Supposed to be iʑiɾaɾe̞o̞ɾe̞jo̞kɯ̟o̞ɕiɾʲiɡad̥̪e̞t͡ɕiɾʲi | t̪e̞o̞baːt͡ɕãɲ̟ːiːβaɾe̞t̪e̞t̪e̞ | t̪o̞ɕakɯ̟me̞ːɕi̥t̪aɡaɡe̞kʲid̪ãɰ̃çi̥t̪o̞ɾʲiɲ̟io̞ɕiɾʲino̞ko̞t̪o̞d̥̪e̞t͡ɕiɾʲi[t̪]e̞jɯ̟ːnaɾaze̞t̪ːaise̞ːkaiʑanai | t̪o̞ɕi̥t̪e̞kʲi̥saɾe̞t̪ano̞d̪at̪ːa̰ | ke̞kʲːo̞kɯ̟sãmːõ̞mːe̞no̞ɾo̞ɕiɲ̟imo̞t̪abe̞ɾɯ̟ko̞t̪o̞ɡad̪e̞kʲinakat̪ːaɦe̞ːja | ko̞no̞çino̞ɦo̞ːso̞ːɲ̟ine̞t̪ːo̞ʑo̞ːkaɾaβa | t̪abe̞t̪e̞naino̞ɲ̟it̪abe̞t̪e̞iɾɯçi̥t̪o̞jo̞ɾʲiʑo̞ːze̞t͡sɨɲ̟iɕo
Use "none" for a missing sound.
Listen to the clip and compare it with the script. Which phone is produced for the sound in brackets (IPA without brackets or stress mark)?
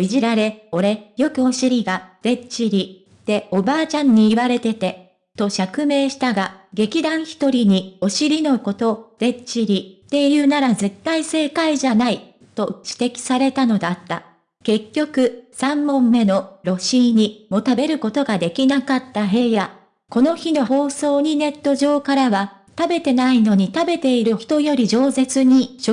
t̪